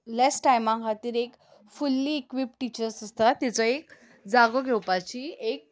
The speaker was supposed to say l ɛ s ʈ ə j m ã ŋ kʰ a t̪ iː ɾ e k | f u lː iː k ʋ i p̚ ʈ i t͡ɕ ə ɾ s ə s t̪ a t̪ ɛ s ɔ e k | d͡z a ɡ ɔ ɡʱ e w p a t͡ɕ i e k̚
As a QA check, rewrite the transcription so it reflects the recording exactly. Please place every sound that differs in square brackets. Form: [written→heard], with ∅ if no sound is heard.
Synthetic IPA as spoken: l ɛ s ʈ [ə→a] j m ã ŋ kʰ a t̪ iː ɾ e k | f u lː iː k ʋ i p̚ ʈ i t͡ɕ ə ɾ s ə s t̪ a t̪ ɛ [s→t͡s] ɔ e k | d͡z a ɡ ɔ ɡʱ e w p a t͡ɕ i e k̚